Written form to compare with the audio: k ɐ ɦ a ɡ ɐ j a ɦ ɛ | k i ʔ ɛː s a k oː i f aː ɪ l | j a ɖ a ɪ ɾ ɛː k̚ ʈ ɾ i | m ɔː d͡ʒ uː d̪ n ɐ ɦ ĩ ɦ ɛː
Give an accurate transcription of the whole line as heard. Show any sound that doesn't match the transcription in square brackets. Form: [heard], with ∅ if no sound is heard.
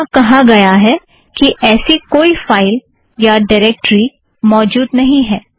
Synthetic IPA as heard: k ɐ ɦ a ɡ ɐ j a ɦ ɛ | k i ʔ ɛː s [i] k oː i f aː ɪ l | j a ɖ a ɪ ɾ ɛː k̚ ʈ ɾ i | m ɔː d͡ʒ uː d̪ n ɐ ɦ ĩ ɦ ɛː